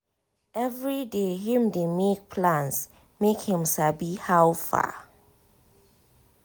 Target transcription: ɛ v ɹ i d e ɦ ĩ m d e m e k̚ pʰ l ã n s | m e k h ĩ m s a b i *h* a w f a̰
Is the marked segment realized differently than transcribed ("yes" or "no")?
no